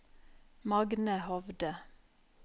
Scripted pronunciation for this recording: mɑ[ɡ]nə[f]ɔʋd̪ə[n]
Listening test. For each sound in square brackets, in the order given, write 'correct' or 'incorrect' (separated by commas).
correct, incorrect, incorrect